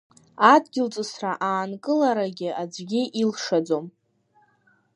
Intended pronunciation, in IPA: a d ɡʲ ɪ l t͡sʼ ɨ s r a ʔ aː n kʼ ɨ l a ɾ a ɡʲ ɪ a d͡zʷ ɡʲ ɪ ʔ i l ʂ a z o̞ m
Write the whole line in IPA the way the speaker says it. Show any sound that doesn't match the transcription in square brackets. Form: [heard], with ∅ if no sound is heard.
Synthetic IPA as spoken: a d ɡʲ ɪ l t͡sʼ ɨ s r a ʔ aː n kʼ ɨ l a ɾ a ɡʲ ɪ a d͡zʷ ɡʲ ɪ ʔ i l ʂ a [d͡z] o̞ m